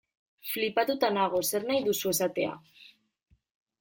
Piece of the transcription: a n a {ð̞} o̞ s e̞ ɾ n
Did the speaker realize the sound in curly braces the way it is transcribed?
no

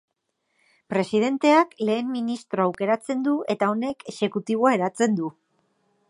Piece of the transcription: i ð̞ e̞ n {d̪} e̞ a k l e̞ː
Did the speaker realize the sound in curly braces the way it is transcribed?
no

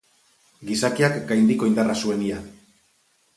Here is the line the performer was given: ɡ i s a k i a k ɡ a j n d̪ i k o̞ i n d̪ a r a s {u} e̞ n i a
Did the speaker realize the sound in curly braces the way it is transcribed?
yes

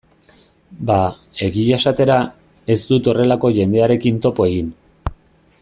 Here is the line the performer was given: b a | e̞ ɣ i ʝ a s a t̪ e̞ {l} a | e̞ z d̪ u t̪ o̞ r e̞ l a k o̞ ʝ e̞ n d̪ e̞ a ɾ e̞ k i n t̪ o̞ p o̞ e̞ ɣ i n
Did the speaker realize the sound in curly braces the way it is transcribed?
no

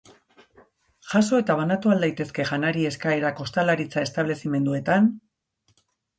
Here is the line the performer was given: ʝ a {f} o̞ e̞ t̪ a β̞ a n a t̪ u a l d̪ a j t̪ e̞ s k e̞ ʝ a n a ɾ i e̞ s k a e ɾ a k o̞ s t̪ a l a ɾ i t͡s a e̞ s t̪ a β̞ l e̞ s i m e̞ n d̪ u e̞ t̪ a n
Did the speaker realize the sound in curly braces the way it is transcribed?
no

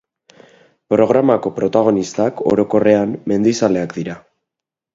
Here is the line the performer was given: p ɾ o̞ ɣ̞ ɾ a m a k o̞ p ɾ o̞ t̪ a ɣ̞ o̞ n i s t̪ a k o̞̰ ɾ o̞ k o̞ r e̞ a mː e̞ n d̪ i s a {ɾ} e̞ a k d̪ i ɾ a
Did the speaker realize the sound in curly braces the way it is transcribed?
no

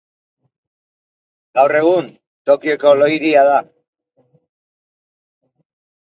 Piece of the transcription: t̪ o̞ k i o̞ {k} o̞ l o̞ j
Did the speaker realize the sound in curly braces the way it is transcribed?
yes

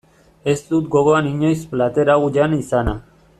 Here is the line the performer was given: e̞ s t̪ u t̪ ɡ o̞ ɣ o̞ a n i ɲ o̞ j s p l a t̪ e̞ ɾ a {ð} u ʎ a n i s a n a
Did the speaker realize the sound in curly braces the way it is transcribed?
no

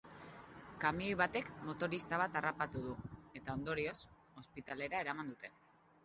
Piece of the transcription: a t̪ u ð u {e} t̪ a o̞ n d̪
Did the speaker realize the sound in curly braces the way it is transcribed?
yes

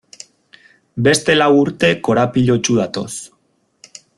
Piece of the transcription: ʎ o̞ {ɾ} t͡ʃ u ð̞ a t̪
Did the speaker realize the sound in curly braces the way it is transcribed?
no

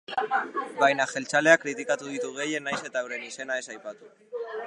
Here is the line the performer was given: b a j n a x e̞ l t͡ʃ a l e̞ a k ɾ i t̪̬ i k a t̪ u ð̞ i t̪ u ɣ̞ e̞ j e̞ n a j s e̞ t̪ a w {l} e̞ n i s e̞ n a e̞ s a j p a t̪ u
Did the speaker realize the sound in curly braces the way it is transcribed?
no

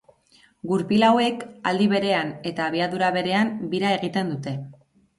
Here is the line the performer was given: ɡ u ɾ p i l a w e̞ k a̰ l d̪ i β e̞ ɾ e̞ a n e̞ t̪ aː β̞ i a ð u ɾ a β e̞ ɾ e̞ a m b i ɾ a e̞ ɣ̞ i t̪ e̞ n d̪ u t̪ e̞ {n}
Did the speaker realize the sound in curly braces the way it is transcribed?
no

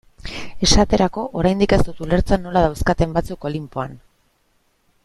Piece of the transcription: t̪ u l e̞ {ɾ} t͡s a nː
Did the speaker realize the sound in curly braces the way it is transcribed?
yes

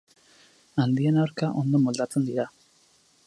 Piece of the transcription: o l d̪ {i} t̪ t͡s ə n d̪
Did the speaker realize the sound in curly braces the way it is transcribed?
no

